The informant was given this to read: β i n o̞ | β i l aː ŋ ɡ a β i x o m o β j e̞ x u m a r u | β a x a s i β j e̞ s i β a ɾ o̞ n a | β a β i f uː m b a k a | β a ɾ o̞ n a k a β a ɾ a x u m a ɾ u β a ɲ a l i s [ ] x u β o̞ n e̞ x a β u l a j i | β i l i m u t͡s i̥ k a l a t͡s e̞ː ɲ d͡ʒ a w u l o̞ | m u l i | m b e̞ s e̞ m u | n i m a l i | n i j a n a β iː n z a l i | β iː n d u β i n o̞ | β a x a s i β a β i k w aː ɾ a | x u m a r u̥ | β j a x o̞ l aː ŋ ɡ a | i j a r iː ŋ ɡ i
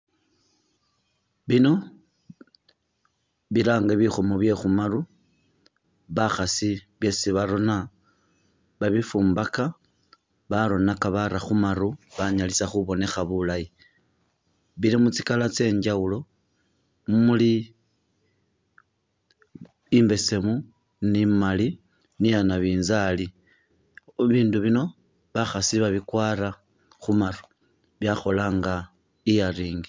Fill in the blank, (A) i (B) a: B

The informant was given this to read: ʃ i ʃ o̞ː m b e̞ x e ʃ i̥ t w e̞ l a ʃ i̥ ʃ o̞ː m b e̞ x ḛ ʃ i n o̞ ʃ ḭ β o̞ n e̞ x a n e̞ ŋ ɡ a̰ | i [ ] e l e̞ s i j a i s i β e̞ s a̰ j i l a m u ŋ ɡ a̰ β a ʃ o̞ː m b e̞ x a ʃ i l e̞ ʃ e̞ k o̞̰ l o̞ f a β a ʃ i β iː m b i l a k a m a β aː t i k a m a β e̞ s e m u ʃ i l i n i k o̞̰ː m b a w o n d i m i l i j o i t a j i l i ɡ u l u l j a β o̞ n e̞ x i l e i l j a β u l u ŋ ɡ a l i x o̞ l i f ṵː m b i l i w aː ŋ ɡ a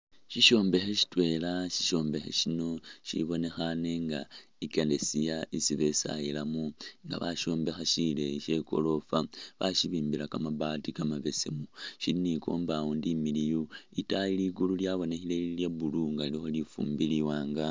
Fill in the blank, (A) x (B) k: B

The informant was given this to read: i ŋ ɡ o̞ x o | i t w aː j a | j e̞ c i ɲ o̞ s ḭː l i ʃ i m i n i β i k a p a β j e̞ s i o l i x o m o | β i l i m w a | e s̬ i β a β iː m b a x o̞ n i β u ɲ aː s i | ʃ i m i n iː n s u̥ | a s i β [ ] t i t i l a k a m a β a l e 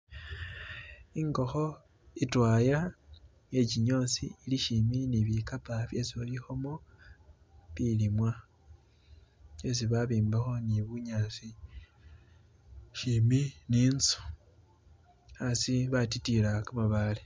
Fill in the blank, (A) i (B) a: B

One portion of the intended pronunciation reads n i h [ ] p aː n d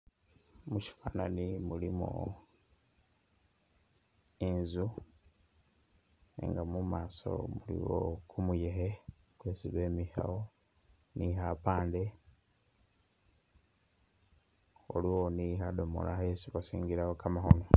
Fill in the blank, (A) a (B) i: A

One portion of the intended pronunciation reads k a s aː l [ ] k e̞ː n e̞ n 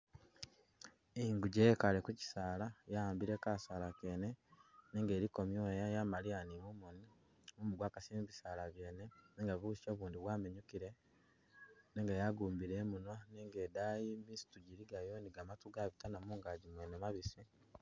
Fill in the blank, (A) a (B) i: A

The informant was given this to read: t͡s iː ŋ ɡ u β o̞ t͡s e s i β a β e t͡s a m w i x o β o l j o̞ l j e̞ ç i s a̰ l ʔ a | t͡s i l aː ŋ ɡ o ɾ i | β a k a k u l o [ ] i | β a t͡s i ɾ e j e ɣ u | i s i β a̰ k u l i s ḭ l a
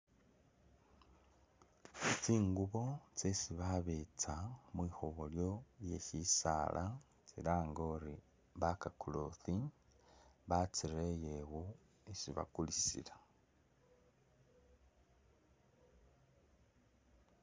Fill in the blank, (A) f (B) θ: B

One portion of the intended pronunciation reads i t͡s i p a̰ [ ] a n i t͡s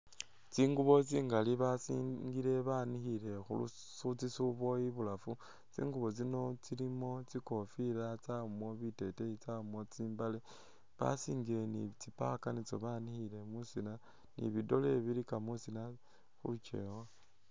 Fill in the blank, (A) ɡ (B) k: B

